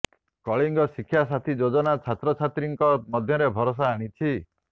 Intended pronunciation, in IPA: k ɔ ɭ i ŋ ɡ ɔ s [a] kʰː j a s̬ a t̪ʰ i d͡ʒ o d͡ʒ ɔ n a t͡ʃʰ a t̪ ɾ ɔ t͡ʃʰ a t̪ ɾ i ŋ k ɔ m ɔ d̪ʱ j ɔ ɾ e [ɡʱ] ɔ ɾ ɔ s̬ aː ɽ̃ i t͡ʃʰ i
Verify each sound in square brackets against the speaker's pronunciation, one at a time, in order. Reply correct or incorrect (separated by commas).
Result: incorrect, incorrect